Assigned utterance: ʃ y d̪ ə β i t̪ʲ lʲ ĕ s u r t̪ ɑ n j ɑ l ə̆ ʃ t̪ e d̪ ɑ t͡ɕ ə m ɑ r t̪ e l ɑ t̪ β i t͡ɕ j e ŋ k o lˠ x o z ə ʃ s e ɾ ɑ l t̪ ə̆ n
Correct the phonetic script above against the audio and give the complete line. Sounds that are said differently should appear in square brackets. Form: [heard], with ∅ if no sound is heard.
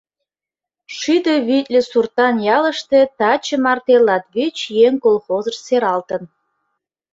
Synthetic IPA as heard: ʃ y d̪ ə β i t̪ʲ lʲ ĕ s u r t̪ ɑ n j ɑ l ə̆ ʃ t̪ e [t̪] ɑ t͡ɕ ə m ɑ r t̪ e l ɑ t̪ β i t͡ɕ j e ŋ k o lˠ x o z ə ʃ s e ɾ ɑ l t̪ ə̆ n

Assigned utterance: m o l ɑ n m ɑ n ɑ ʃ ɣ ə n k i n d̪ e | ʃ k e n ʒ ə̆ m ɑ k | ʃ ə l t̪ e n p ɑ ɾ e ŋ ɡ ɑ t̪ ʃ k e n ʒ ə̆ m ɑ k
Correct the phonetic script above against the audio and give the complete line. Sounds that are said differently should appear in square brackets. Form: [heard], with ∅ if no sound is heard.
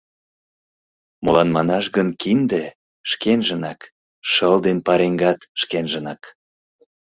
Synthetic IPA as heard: m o l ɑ n m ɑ n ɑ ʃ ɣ ə n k i n d̪ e | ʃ k e n ʒ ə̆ [n] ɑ k | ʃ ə l [d̪] e n p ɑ ɾ e ŋ ɡ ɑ t̪ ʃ k e n ʒ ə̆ [n] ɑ k

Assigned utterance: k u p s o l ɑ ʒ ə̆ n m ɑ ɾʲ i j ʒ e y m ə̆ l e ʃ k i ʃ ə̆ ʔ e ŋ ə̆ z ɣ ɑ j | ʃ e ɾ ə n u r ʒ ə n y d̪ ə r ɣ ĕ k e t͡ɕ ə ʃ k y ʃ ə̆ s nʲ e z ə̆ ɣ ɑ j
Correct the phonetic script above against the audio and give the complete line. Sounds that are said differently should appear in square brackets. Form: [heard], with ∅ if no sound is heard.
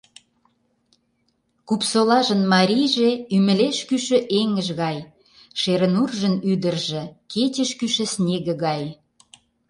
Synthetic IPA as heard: k u p s o l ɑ ʒ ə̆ n m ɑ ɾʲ i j ʒ e y m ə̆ l e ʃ k [y] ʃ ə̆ ʔ e ŋ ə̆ [ʒ] ɣ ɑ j | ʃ e ɾ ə n u r ʒ ə n y d̪ ə r [ʒ] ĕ k e t͡ɕ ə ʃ k y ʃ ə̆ s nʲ e [ɣ] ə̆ ɣ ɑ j

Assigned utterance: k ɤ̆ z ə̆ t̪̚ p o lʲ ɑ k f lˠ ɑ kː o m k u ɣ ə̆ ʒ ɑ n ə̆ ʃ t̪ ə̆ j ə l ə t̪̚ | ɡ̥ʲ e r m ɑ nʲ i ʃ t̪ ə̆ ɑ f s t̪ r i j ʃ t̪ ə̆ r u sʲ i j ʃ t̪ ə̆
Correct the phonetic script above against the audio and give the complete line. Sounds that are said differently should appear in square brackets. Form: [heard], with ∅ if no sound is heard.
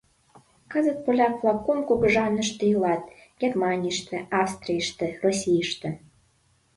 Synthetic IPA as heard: k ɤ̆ z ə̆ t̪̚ p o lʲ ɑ k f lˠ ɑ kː o m k u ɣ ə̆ ʒ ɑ n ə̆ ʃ t̪ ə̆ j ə l [ɑ] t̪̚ | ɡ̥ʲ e r m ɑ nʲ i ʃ t̪ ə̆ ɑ f s t̪ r i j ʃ t̪ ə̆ r [o] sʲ i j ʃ t̪ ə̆

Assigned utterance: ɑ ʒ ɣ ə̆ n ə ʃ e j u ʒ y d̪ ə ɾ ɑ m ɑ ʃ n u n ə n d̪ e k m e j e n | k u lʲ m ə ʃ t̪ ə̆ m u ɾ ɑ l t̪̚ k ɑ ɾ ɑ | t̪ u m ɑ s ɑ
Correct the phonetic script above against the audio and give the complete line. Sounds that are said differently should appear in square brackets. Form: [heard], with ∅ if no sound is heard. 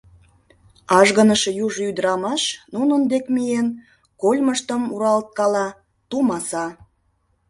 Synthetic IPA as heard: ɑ ʒ ɣ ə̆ n ə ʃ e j u ʒ y d̪ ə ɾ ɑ m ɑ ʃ n u n ə n d̪ e k m [i] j e n | k [o] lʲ m ə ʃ t̪ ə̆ m u ɾ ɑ l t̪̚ k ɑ [l] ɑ | t̪ u m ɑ s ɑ

